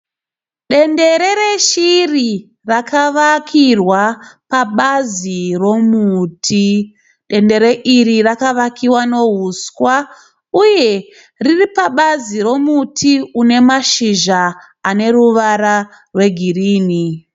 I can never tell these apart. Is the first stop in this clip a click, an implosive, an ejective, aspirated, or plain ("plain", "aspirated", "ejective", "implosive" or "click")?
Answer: implosive